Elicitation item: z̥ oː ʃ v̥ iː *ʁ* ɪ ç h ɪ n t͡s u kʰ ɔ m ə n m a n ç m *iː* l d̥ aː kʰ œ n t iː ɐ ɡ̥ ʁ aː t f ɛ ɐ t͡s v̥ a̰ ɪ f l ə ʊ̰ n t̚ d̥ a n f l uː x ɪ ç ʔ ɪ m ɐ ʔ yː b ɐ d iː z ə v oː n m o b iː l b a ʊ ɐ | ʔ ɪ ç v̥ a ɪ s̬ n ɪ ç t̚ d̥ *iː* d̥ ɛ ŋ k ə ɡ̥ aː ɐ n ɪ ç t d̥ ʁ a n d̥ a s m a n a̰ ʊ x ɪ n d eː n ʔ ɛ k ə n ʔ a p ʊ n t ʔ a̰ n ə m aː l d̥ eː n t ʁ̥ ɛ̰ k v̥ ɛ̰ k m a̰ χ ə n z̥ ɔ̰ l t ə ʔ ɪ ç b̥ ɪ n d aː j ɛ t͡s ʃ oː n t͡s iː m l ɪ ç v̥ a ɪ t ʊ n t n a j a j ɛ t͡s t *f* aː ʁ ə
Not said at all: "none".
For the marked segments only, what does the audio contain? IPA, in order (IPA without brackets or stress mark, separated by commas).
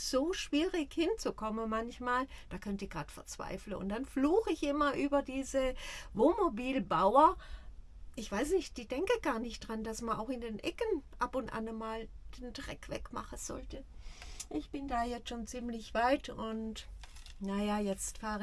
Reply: ʁ, aː, iː, f